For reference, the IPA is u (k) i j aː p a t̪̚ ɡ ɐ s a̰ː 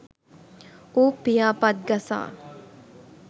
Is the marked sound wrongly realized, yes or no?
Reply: yes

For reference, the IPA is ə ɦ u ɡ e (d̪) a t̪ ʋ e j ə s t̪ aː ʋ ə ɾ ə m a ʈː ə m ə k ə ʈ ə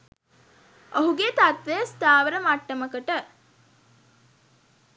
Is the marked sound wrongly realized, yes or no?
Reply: yes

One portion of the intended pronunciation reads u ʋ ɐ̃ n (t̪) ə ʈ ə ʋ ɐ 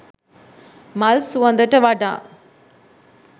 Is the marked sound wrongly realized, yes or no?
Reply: yes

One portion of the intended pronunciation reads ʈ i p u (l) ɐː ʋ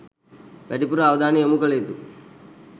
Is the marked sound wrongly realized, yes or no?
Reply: yes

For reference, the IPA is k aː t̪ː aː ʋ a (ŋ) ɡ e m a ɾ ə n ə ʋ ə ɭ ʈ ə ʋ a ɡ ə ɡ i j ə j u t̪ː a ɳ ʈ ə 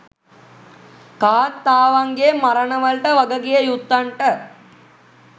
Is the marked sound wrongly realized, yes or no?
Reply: no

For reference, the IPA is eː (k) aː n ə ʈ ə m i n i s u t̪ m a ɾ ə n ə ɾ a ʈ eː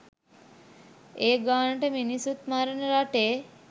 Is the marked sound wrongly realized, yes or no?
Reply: yes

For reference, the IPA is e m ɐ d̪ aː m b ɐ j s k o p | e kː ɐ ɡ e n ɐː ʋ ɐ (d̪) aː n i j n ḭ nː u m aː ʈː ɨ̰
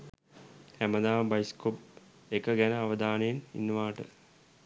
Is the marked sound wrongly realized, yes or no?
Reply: no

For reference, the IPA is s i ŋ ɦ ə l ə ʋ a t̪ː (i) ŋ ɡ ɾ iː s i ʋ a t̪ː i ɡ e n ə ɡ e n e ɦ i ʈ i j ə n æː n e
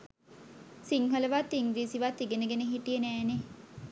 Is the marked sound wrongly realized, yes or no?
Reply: no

